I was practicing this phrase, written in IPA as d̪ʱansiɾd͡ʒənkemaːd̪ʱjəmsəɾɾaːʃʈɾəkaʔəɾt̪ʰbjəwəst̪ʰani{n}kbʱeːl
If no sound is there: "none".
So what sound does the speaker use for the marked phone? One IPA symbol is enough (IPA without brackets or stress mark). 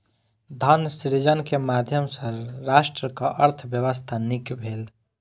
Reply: none